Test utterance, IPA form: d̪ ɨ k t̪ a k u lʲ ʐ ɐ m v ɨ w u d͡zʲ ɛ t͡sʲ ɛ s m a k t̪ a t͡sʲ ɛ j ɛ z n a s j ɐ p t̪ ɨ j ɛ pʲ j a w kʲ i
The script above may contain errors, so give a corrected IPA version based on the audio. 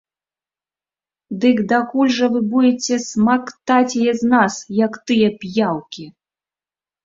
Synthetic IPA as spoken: d̪ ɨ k d̪ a k u lʲ ʐ ɐ v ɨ b u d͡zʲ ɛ t͡sʲ ɛ s m a k t̪ a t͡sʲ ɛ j ɛ z n a s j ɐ k t̪ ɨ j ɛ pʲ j a w kʲ i